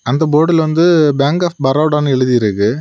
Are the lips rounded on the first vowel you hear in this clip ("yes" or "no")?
no